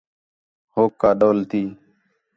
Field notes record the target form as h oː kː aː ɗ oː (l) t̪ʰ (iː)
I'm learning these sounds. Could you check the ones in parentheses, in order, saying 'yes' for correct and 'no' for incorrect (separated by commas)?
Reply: yes, yes